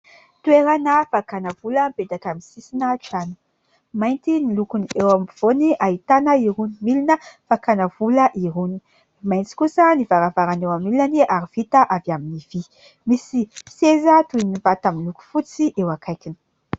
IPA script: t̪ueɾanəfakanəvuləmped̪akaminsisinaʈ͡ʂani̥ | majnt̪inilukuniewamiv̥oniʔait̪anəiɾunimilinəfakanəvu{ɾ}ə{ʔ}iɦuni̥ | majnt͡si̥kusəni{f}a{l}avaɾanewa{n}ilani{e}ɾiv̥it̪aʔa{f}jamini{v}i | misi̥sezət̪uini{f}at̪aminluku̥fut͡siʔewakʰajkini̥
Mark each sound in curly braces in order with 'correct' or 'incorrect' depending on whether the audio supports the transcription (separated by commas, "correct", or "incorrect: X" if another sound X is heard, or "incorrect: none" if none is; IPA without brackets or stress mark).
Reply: incorrect: l, correct, incorrect: v, incorrect: ɾ, incorrect: m, incorrect: a, incorrect: v, correct, incorrect: v